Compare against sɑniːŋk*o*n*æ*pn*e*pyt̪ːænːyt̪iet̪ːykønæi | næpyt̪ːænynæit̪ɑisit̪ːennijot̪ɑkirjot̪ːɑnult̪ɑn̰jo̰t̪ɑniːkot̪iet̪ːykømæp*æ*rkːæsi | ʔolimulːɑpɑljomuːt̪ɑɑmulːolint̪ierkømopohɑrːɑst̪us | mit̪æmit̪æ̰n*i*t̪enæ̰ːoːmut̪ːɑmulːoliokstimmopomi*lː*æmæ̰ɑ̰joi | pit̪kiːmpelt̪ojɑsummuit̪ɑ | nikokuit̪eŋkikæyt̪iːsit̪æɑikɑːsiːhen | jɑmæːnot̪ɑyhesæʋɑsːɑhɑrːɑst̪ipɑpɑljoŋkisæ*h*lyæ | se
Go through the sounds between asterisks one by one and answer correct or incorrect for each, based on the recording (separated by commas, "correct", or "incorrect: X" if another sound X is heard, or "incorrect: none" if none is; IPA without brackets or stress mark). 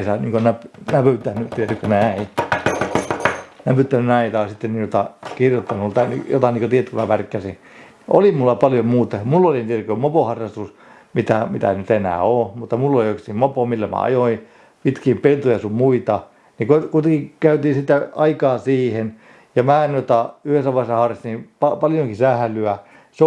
correct, correct, incorrect: æ, correct, incorrect: y, correct, correct